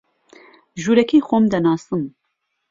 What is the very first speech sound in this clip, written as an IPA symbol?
ʒ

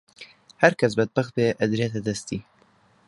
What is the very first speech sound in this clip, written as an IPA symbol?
h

